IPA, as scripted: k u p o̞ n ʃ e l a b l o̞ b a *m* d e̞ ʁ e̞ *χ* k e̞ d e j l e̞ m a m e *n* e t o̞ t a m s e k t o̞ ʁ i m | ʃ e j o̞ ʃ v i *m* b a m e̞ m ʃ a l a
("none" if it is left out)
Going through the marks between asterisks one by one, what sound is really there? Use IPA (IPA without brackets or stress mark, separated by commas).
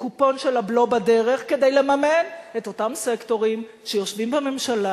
none, χ, n, m